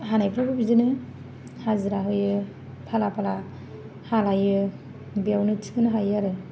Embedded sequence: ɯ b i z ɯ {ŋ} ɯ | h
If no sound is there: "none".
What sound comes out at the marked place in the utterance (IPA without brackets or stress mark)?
n